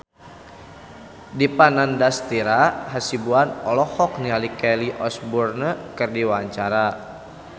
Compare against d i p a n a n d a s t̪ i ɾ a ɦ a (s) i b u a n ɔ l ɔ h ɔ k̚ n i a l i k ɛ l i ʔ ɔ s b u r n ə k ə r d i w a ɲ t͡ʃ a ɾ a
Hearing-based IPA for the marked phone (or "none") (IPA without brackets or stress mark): s